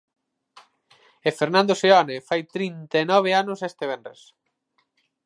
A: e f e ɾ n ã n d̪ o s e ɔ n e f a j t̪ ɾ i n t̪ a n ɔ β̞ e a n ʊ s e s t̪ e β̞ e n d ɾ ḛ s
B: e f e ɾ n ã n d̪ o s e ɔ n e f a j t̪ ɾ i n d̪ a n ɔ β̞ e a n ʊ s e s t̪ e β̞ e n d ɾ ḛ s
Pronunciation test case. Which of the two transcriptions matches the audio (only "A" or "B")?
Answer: A